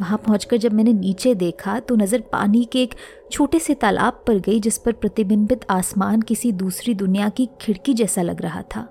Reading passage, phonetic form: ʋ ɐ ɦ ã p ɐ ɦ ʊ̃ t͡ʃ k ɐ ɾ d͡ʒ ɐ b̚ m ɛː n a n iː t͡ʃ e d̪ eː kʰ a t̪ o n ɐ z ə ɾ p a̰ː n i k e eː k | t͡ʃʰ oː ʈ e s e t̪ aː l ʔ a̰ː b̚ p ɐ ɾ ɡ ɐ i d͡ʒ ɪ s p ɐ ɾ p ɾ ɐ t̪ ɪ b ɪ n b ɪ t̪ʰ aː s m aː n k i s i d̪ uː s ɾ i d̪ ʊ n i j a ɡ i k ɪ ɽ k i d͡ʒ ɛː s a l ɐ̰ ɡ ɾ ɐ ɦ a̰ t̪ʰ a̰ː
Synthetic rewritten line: ʋ ɐ ɦ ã p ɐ ɦ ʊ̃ t͡ʃ k ɐ ɾ d͡ʒ ɐ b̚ m ɛː n e n iː t͡ʃ e d̪ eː kʰ a t̪ o n ɐ z ə ɾ p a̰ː n i k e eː k | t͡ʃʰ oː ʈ e s e t̪ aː l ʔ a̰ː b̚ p ɐ ɾ ɡ ɐ i d͡ʒ ɪ s p ɐ ɾ p ɾ ɐ t̪ ɪ b ɪ n b ɪ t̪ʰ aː s m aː n k ɪ s i d̪ uː s ɾ i d̪ ʊ n i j a k i kʰ ɪ ɽ k i d͡ʒ ɛː s a l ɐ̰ ɡ ɾ ɐ ɦ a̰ t̪ʰ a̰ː